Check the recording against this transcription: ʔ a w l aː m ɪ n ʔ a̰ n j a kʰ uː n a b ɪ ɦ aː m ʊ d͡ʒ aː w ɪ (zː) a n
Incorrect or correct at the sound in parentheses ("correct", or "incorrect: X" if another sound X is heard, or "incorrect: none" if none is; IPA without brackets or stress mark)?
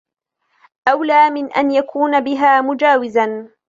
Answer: incorrect: z